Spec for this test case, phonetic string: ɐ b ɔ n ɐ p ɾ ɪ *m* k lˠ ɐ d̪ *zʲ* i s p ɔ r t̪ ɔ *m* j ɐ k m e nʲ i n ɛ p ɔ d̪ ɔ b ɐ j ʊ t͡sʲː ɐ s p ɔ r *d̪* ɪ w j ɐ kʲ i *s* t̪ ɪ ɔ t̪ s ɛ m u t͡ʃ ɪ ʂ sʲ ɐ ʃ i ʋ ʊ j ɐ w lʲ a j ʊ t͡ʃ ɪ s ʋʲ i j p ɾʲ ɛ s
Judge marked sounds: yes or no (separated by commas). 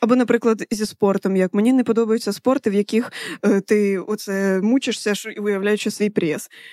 no, yes, yes, no, no